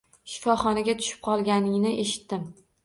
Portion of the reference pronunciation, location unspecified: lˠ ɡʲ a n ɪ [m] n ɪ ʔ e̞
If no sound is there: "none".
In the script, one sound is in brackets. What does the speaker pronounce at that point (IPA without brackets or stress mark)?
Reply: ŋ